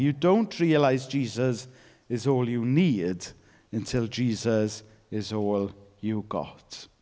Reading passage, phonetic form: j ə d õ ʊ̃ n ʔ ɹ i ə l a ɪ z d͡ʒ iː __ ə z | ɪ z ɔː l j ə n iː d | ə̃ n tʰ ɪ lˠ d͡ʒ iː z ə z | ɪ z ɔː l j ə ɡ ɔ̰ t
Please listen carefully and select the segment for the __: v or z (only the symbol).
z